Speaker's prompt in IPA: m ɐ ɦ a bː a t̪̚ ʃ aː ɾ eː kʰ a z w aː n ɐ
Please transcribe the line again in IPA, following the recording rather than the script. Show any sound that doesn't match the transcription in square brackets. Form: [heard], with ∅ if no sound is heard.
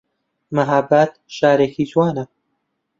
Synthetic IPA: m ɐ ɦ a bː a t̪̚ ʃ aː ɾ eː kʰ [i] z w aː n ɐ